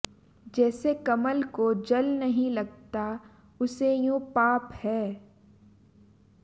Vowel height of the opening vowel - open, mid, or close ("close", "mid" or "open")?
mid